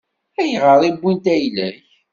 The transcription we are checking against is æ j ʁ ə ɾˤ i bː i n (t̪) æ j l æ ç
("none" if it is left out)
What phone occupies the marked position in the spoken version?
t̪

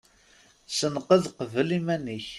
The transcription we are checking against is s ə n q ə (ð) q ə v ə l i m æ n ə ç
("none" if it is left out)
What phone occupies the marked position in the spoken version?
ð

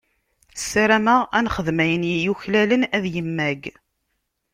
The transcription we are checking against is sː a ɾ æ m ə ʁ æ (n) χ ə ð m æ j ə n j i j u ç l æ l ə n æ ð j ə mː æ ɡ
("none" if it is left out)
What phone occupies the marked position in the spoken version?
n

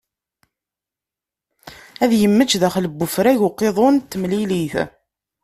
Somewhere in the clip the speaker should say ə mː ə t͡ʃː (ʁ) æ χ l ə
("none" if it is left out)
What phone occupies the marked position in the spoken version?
ð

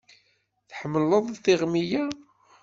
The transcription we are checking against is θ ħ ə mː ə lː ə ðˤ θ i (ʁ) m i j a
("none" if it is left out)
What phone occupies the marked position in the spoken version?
ʁ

